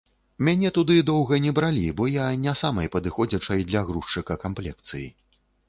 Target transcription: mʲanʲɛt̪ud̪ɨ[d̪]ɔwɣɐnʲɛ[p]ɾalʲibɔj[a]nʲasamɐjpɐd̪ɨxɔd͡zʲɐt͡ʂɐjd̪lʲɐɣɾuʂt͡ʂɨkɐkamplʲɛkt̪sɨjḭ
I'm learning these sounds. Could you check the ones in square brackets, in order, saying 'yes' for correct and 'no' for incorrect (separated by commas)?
yes, no, yes